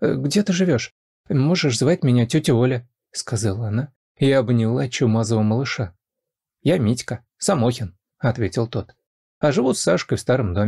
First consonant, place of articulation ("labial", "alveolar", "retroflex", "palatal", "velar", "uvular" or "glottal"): velar